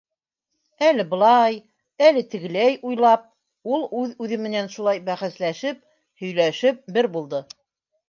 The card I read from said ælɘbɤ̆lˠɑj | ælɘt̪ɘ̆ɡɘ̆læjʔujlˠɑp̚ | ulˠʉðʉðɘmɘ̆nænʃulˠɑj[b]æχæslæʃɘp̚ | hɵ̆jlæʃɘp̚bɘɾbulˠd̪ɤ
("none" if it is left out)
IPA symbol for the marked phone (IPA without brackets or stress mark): b